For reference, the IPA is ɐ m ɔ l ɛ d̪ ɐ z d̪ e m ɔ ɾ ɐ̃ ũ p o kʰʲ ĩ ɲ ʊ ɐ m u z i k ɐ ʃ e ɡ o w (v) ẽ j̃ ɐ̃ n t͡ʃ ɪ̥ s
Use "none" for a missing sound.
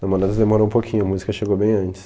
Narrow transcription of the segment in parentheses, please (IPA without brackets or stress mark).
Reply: b